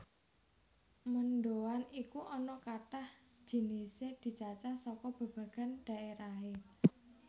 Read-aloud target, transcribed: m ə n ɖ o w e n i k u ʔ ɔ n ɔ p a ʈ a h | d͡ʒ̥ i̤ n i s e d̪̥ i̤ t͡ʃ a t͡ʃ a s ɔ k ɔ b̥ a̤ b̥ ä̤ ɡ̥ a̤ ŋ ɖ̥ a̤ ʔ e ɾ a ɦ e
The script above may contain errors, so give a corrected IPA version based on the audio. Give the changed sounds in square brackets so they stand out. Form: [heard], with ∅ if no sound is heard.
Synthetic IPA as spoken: m ə n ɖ o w [a] n i k u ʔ ɔ n ɔ [k] a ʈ a h | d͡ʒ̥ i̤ n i s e d̪̥ i̤ t͡ʃ a t͡ʃ a s ɔ k ɔ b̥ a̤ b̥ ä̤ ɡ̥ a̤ [n] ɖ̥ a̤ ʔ e ɾ a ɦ e